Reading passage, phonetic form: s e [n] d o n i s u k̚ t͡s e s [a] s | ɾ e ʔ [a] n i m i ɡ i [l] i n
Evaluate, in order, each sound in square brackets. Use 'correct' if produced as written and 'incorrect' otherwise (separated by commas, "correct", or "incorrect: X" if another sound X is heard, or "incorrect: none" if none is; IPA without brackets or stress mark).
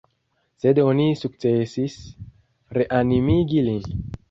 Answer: incorrect: none, incorrect: i, correct, correct